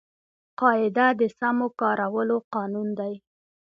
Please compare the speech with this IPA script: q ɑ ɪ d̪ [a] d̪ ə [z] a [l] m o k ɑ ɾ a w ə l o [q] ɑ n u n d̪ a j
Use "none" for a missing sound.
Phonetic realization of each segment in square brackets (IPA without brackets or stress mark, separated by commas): a, s, none, q